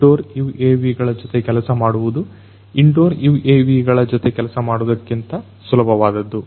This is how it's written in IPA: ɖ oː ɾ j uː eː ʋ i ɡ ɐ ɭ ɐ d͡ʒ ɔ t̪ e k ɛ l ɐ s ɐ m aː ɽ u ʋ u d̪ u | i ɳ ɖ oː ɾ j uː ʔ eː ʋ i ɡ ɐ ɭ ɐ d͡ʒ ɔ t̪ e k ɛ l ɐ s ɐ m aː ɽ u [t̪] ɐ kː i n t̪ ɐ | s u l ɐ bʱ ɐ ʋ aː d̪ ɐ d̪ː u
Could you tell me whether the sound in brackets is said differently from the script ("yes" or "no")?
yes